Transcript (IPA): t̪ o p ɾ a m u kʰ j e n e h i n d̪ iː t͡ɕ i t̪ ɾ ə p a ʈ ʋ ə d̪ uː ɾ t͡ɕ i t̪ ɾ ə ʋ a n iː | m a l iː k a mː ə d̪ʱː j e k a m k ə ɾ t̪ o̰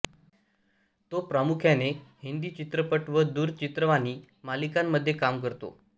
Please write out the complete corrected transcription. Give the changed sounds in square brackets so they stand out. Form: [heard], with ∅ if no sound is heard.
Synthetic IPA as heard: t̪ o p ɾ a m u kʰ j [a] n e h i n d̪ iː t͡ɕ i t̪ ɾ ə p [ə] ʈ ʋ ə d̪ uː ɾ t͡ɕ i t̪ ɾ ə ʋ a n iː | m a l [i] k a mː ə d̪ʱː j e k a m k ə ɾ t̪ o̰